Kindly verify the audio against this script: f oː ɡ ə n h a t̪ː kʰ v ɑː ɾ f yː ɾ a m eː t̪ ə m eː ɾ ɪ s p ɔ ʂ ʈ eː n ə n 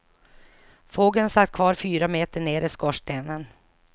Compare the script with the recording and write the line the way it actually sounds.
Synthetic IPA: f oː ɡ ə n s a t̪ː kʰ v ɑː ɾ f yː ɾ a m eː t̪ ə ɳ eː ɾ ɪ s k ɔ ʂ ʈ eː n ə n